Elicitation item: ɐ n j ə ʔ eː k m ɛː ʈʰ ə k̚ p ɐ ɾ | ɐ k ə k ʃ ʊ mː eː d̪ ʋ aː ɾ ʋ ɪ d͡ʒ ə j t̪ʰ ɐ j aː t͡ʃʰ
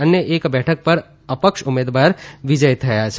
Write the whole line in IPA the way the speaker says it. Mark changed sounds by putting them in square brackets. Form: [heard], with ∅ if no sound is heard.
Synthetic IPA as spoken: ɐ n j ə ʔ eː k [b] ɛː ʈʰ ə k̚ p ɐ ɾ | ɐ [p] ə k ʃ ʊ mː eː d̪ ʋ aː ɾ ʋ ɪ d͡ʒ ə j t̪ʰ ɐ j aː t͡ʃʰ